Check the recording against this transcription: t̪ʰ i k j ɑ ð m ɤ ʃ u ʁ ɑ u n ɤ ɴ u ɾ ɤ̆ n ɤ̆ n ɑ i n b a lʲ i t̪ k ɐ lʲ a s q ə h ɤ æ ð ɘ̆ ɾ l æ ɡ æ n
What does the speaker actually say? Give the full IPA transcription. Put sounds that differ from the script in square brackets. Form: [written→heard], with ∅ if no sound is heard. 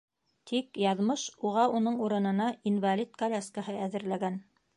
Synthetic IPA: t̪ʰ i k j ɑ ð m ɤ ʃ u ʁ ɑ u n ɤ ɴ u ɾ ɤ̆ n ɤ̆ n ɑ i n [b→v] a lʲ i t̪ k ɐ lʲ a s [q→k] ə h ɤ æ ð ɘ̆ ɾ l æ ɡ æ n